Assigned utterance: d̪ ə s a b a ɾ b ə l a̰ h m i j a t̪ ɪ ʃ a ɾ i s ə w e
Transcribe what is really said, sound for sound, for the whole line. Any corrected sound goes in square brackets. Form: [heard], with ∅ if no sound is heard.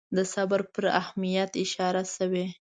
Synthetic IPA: d̪ ə s a b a ɾ [p] ə [ɾ] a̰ h m i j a t̪ ɪ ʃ [ɑ] ɾ [a] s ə w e

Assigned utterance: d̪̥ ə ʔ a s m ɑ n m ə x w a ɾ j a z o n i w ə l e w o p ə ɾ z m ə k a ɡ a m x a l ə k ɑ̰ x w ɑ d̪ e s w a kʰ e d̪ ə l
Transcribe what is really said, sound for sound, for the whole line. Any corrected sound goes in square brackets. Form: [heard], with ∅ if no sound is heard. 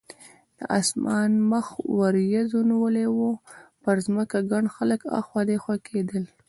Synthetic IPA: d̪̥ ə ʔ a s m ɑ n m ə x w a ɾ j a z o n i w ə l e w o p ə ɾ z m ə k a ɡ a [ɳ] x a l ə k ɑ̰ x w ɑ d̪ e [x] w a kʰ e d̪ ə l

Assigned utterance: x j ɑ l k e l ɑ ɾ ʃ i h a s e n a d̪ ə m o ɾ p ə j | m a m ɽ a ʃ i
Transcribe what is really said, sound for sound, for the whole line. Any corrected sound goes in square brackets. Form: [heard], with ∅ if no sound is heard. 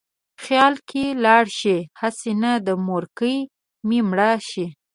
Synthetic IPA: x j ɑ l k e l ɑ [ɽ] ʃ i h a s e n a d̪ ə m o ɾ [k] ə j | m [i] m ɽ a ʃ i

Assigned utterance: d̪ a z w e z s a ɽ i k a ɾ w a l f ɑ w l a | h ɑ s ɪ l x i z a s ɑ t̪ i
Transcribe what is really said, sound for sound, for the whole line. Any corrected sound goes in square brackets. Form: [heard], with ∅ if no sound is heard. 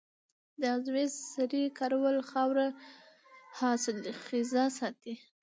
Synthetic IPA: d̪ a z w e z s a [ɾ] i k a ɾ w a l [x] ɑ w [ɾ] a | h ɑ s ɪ l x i z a s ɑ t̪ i

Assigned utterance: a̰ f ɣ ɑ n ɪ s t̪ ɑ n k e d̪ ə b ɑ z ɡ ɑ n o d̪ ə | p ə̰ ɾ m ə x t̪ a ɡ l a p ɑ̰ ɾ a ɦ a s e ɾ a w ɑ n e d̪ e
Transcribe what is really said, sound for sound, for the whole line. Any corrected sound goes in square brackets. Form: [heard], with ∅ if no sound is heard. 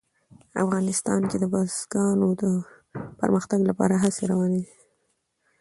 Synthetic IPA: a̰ f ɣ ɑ n ɪ s t̪ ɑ n k e d̪ ə b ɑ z ɡ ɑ n o d̪ ə | p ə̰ ɾ m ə x t̪ a ɡ l a p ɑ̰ ɾ a ɦ a s e ɾ a w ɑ n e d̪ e

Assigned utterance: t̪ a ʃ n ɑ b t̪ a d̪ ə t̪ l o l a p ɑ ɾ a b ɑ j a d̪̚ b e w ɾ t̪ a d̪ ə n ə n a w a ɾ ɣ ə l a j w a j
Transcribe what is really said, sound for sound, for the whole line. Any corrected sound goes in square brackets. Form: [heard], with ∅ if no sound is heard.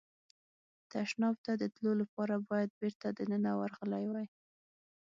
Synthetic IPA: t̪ a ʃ n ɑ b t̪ a d̪ ə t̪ l o l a p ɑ ɾ a b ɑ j a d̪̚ b e [∅] ɾ t̪ a d̪ ə n ə n a w a ɾ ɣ ə l a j w a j

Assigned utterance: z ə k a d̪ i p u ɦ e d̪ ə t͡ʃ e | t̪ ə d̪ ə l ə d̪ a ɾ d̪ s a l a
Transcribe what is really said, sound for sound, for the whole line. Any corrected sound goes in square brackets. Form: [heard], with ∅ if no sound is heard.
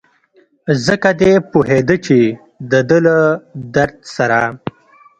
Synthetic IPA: z ə k a d̪ [e] p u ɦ e d̪ ə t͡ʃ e | [d̪] ə d̪ ə l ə d̪ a ɾ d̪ s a [ɾ] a

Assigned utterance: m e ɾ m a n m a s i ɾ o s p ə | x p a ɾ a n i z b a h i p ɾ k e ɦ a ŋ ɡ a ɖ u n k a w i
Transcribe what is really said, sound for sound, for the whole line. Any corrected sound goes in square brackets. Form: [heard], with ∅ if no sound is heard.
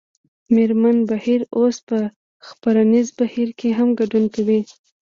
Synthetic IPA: m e ɾ m a n [b] a [h] i ɾ o s p ə | x p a ɾ a n i z b a h i [∅] ɾ k e ɦ a [m] ɡ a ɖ u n k a w i

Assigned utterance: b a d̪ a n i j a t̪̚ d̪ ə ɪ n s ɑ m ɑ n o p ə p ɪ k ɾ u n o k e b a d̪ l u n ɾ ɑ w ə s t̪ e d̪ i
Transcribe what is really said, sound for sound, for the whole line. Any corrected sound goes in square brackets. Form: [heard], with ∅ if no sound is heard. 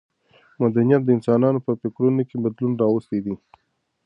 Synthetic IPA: [m] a d̪ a n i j a t̪̚ d̪ ə ɪ n s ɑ [n] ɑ n o p ə p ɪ k ɾ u n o k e b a d̪ l u n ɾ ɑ w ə s t̪ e d̪ i

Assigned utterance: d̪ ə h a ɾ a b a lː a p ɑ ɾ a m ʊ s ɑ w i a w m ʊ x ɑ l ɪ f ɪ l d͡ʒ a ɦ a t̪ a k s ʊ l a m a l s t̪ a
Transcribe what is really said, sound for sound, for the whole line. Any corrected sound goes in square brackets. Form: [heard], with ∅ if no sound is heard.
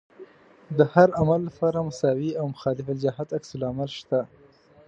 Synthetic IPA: d̪ ə h a ɾ a [m] a lː a p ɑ ɾ a m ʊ s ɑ w i a w m ʊ x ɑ l ɪ f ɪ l d͡ʒ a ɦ a t̪ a k s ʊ l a m a l [ʃ] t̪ a

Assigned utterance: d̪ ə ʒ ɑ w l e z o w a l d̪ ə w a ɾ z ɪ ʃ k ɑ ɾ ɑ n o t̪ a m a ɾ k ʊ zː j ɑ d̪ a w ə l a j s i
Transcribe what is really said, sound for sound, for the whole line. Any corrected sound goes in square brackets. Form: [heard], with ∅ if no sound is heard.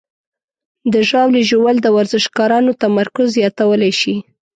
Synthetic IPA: d̪ ə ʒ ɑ w l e [ʒ] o w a l d̪ ə w a ɾ z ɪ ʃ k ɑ ɾ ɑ n o t̪ a m a ɾ k ʊ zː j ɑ [t̪] a w ə l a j [ʃ] i

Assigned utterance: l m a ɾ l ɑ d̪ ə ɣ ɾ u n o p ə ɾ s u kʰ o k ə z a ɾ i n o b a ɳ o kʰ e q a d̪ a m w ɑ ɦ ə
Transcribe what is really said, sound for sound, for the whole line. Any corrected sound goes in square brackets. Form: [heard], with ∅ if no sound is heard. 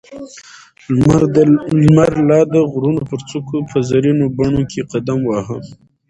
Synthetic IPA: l m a ɾ l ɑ d̪ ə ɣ ɾ u n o p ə ɾ [t͡s] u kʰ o [p] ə z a ɾ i n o b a ɳ o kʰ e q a d̪ a m w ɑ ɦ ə

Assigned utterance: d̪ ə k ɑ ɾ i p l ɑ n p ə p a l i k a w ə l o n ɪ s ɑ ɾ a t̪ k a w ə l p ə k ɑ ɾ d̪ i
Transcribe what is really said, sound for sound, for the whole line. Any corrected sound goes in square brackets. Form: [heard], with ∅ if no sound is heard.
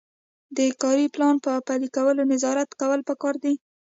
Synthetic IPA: d̪ ə k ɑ ɾ i p l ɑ n p ə p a l i k a w ə l o n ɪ [z] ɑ ɾ a t̪ k a w ə l p ə k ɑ ɾ d̪ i

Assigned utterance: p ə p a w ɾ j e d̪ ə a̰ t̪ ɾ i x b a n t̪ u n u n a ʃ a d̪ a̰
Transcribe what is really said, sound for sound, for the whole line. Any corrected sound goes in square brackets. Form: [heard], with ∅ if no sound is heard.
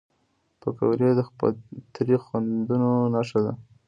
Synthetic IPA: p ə [k] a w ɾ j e d̪ ə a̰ t̪ ɾ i x [w] a n [d̪] u n [o] n a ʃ a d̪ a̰

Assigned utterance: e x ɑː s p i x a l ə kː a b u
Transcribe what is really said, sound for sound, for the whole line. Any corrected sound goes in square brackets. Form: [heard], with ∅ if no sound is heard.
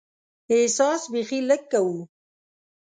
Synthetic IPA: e [s] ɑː s [b] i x [i] l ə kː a [w] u

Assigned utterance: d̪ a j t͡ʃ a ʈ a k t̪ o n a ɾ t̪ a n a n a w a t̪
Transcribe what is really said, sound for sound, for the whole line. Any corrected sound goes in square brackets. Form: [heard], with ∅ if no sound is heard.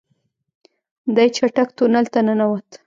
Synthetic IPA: d̪ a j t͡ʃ a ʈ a k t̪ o n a [l] t̪ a n a n a w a t̪

